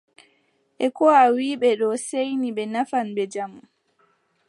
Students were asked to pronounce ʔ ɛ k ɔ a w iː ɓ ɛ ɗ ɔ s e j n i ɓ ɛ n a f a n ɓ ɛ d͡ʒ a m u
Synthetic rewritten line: ʔ ɛ k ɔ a w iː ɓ ɛ ɗ ɔ s e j n i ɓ ɛ n a f a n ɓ ɛ d͡ʒ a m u